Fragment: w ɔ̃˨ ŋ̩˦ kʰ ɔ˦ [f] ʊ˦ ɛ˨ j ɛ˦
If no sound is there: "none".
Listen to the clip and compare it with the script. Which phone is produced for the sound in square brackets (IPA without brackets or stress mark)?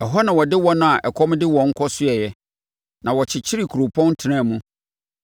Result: s